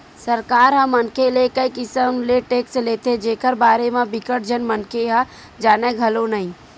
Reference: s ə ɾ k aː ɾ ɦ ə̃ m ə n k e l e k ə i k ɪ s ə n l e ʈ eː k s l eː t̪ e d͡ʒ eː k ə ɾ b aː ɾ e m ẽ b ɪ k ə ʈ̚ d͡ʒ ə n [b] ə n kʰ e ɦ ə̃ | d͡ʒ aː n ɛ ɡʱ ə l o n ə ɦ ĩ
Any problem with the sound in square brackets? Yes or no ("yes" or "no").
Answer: yes